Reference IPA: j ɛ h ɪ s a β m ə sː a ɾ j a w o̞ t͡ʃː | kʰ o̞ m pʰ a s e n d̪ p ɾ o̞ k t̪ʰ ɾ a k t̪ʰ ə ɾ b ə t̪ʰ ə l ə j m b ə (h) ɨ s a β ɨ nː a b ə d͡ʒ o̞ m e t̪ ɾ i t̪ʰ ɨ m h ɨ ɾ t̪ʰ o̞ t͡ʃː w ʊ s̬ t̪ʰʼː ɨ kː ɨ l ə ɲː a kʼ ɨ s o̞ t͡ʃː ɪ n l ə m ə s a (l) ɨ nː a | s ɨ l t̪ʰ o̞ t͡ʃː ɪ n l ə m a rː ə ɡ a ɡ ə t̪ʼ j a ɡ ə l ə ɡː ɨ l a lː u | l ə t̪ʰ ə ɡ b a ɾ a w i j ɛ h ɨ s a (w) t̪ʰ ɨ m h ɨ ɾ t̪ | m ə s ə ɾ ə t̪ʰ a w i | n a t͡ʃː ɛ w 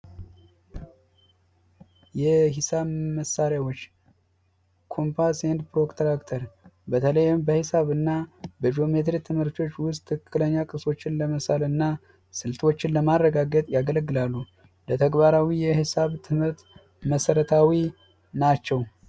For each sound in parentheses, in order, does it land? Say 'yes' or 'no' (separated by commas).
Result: yes, yes, no